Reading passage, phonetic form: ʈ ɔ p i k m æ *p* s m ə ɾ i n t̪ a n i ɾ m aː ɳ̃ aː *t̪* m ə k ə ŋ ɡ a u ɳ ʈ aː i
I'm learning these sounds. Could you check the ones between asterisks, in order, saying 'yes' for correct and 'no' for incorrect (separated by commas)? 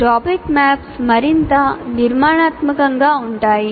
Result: yes, yes